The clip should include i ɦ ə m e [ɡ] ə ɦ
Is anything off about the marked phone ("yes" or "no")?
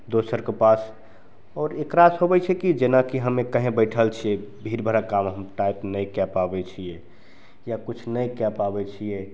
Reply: yes